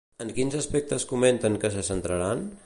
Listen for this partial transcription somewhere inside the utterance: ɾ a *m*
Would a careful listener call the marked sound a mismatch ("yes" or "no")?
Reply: yes